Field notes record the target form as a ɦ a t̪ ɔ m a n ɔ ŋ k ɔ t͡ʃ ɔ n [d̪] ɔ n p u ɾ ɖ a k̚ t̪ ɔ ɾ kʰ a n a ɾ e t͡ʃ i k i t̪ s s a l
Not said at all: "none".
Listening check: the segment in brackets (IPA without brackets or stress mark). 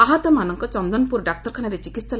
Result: d̪